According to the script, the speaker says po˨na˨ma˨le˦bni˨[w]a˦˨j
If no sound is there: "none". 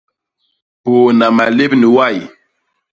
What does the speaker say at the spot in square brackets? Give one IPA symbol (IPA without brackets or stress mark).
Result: w